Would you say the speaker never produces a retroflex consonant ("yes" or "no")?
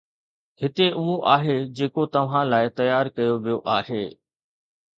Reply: yes